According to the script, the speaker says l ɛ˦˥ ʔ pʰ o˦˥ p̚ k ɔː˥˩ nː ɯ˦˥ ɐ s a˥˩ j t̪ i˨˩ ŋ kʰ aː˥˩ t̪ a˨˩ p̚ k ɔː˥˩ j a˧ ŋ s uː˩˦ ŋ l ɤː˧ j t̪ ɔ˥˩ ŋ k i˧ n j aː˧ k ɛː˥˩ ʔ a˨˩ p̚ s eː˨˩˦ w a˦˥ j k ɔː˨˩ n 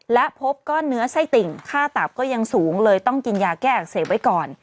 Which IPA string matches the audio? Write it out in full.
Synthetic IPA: l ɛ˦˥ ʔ pʰ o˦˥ p̚ k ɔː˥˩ nː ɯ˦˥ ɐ s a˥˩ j t̪ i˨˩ ŋ kʰ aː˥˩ t̪ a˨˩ p̚ k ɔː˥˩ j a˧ ŋ s uː˩˦ ŋ l ɤː˧ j t̪ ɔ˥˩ ŋ k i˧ n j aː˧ k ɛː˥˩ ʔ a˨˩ k̚ s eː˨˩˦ w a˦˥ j k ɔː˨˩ n

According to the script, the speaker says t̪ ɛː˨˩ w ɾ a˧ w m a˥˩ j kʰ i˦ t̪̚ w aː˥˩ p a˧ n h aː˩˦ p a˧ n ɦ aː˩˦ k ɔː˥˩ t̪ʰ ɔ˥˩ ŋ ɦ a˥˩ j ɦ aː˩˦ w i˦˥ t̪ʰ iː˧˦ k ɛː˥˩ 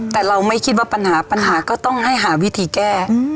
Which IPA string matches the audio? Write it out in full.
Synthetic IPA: t̪ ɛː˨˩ ɾ a˧ w m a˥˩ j kʰ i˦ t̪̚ w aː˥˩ p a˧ n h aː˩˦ p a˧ n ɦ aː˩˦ k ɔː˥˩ t̪ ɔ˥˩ ŋ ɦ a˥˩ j ɦ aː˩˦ w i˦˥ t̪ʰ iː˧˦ k ɛː˥˩

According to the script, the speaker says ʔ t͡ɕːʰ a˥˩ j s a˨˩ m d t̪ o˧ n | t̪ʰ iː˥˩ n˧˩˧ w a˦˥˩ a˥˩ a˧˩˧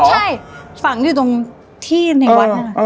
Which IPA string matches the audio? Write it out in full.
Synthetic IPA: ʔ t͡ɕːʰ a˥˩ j f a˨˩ ŋ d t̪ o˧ ŋ | t̪ʰ iː˥˩ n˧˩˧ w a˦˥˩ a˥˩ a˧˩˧

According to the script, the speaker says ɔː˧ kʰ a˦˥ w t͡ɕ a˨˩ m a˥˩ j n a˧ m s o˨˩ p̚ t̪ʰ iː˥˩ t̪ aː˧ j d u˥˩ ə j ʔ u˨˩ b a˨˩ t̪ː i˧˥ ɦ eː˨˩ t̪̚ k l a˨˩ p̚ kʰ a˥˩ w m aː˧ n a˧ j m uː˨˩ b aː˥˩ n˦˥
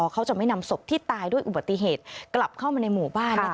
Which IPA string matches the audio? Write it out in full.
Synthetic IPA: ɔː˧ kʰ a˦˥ w t͡ɕ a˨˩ m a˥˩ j n a˧ m s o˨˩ p̚ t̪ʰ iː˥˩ t̪ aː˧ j d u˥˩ ə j ʔ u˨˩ b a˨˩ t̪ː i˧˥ ɦ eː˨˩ t̪̚ k l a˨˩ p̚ kʰ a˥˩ w m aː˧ n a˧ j m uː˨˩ b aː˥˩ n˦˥

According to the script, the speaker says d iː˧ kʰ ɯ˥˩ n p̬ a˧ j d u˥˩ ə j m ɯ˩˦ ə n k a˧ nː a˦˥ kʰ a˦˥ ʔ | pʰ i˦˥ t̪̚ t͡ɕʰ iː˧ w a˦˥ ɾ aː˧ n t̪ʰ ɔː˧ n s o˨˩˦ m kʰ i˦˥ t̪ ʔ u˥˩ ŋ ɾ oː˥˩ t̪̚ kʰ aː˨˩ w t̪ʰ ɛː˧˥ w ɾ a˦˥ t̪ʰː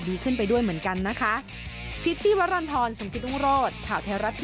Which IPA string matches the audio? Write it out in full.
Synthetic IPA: d iː˧ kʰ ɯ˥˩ n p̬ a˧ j d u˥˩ ə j m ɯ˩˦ ə n k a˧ nː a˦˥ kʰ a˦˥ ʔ | pʰ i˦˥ t̪̚ t͡ɕʰ iː˥˩ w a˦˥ ɾ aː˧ n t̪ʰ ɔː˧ n s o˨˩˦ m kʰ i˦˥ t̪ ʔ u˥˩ ŋ ɾ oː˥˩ t̪̚ kʰ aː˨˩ w t̪ʰ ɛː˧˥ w ɾ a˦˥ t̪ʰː

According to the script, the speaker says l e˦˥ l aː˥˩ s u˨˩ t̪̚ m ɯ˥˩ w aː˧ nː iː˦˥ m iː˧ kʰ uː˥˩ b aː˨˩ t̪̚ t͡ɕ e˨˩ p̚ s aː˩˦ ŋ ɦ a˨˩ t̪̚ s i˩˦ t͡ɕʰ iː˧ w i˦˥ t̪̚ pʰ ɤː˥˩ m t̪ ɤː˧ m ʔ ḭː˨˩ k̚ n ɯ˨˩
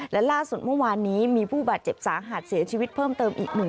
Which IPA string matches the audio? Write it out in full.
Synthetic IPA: l ɛ˦˥ l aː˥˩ s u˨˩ t̪̚ m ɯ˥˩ w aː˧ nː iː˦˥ m iː˧ pʰ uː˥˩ b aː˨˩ t̪̚ t͡ɕ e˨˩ p̚ s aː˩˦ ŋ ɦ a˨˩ t̪̚ s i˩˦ t͡ɕʰ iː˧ w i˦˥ t̪̚ pʰ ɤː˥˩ m t̪ ɤː˧ m ʔ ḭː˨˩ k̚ n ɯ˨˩

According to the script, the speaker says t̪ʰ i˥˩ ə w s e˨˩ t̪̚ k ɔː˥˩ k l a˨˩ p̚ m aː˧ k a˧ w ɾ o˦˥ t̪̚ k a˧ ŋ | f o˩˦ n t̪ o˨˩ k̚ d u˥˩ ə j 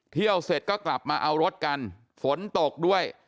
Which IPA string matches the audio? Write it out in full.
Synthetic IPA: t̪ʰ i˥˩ ə w s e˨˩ t̪̚ k ɔː˥˩ k l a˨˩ p̚ m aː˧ ʔ a˧ w ɾ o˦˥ t̪̚ k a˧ n | f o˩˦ n t̪ o˨˩ k̚ d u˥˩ ə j

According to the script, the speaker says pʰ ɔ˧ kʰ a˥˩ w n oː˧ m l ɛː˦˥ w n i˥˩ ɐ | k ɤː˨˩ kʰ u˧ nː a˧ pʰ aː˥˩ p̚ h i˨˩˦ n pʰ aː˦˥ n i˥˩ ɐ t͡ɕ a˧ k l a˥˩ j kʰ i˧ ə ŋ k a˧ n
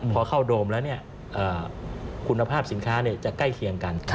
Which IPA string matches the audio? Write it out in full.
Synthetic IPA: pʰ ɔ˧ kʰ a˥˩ w d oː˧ m l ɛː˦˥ w n i˥˩ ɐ | ʔ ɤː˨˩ kʰ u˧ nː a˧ pʰ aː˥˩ p̚ s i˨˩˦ n kʰ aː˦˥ n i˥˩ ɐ t͡ɕ a˨˩ k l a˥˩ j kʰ i˧ ə ŋ k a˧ n

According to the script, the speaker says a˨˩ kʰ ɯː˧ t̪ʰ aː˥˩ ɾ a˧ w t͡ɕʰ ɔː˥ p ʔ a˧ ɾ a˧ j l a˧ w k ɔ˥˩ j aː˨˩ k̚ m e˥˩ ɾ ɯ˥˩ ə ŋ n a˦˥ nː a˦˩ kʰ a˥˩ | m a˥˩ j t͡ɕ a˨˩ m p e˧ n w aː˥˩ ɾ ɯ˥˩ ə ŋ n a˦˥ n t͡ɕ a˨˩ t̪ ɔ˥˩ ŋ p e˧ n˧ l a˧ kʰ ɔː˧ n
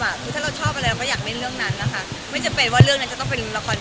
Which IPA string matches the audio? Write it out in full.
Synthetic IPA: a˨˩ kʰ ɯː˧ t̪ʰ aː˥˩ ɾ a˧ w t͡ɕʰ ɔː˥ p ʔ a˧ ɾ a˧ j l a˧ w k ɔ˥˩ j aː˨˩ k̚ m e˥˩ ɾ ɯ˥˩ ə ŋ n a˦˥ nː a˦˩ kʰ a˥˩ | m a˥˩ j t͡ɕ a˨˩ m p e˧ n w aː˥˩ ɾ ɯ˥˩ ə ŋ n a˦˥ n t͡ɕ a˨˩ t̪ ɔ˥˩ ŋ p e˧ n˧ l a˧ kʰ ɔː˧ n

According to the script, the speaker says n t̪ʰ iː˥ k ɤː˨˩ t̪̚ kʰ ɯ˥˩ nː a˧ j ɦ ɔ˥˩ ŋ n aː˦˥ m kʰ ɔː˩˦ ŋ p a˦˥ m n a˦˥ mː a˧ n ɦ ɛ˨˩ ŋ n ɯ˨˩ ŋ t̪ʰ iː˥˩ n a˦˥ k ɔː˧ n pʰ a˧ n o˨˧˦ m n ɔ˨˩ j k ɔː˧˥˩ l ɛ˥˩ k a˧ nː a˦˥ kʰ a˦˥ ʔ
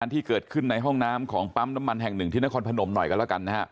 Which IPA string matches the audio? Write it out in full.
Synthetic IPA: n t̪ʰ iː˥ k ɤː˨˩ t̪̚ kʰ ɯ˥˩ nː a˧ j ɦ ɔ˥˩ ŋ n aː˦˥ m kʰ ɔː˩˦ ŋ p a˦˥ m n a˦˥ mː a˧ n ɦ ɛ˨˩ ŋ n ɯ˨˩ ŋ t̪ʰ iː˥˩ n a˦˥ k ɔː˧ n pʰ a˧ n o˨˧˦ m n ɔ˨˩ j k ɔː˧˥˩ l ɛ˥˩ k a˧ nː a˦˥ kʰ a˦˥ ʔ

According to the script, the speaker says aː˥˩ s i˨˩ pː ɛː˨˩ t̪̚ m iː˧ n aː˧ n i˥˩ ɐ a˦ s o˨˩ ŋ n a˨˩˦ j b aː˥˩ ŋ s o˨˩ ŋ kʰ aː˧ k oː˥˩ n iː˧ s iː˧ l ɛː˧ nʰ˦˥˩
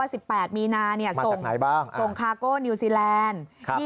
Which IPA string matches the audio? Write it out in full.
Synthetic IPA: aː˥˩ s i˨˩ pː ɛː˨˩ t̪̚ m iː˧ n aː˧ n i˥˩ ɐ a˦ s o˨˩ ŋ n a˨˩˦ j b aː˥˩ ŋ s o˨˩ ŋ kʰ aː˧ k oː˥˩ n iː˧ s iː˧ l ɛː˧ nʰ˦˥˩

